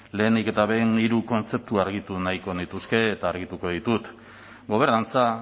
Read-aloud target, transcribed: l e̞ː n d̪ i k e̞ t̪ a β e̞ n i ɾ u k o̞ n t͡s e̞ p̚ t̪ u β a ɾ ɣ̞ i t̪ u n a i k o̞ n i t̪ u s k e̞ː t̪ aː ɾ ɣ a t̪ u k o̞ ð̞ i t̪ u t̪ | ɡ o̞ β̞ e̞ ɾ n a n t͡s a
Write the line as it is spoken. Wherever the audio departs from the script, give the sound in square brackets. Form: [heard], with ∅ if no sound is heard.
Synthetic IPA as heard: l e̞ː n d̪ i k e̞ t̪ a β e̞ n i ɾ u k o̞ n t͡s e̞ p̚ t̪ u [∅] a ɾ ɣ̞ i t̪ u n a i k o̞ n i t̪ u s k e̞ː t̪ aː ɾ ɣ [i] t̪ u k o̞ ð̞ i t̪ u t̪ | ɡ o̞ β̞ e̞ ɾ n a n t͡s a